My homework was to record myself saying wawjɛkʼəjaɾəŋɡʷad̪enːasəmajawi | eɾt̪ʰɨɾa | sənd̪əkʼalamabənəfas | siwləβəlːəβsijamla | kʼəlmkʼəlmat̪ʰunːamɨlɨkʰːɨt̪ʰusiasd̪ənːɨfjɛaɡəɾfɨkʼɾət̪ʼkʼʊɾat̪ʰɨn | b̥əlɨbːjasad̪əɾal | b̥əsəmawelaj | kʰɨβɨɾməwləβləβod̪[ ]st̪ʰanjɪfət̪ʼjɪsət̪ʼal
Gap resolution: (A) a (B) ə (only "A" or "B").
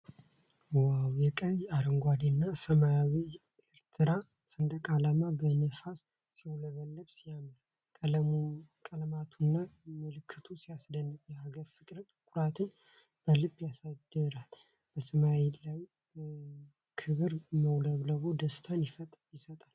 B